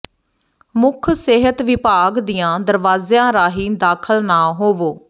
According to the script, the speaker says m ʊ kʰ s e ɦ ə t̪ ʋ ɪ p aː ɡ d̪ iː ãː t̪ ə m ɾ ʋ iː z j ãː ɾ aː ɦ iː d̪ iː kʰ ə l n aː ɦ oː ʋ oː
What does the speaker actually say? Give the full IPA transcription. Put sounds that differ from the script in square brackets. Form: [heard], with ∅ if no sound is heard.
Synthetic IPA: m ʊ kʰ s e ɦ ə t̪ ʋ ɪ p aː ɡ d̪ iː ãː [d̪] ə [∅] ɾ ʋ [aː] z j ãː ɾ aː ɦ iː d̪ [aː] kʰ ə l n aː ɦ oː ʋ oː